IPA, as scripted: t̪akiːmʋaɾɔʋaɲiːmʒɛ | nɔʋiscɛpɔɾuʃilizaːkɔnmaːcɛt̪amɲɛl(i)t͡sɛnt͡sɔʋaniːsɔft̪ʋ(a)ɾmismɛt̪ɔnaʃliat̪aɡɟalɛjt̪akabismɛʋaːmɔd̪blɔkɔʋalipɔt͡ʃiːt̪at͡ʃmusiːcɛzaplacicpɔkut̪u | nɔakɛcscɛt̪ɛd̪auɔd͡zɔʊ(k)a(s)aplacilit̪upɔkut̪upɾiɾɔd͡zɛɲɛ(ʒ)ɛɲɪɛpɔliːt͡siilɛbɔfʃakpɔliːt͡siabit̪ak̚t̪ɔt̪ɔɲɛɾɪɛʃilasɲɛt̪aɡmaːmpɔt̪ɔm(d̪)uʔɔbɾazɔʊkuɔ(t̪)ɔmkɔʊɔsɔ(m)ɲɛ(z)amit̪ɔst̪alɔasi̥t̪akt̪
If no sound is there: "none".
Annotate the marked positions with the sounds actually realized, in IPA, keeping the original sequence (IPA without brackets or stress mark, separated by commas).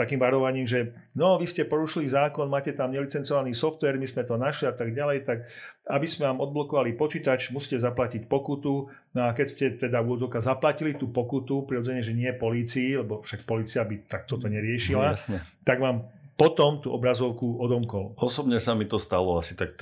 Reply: i, ɛ, k, z, ʒ, t̪, d̪, b, s